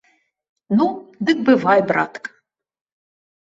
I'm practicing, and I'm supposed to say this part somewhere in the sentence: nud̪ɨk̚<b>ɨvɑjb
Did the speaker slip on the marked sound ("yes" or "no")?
no